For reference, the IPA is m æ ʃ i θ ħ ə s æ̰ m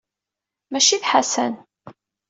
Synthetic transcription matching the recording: m æ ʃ i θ ħ a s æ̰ n